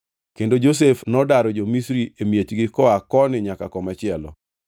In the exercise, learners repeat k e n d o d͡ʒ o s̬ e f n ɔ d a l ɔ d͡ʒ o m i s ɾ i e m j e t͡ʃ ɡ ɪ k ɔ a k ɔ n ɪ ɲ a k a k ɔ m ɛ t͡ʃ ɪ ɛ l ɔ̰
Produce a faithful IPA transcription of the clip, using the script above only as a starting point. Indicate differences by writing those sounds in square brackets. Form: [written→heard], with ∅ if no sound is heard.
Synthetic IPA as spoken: k e n d o d͡ʒ o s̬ e f n ɔ d a [l→ɾ] ɔ d͡ʒ o m i s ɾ i e m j e t͡ʃ ɡ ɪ k ɔ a k ɔ n ɪ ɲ a k a k ɔ m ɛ t͡ʃ ɪ ɛ l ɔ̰